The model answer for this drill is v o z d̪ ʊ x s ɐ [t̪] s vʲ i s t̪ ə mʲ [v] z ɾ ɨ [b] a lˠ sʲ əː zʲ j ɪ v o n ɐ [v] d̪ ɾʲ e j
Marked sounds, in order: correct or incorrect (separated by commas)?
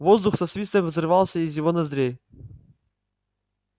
incorrect, correct, incorrect, incorrect